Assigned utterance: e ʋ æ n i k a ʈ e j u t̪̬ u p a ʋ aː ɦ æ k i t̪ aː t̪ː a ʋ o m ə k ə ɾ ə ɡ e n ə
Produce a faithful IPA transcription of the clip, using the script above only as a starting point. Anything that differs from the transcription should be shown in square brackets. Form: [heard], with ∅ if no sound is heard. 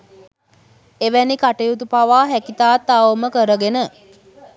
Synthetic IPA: e ʋ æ n i k a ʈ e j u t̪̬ u p a ʋ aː ɦ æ k i t̪ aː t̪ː a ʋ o m ə k ə ɾ ə ɡ e n ə

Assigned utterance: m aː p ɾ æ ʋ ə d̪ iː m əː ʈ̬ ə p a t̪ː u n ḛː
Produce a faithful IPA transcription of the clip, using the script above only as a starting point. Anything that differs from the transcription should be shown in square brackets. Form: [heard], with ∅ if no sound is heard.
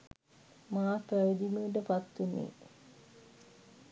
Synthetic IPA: m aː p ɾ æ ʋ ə d̪ [i] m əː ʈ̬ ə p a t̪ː u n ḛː

